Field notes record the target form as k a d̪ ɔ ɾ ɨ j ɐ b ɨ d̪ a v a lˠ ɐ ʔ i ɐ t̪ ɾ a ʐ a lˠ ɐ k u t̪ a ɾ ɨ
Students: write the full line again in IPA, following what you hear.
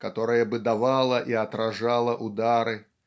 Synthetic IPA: k a t̪ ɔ ɾ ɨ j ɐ b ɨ d̪ a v a lˠ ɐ ʔ i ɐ t̪ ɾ a ʐ a lˠ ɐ ʔ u d̪ a ɾ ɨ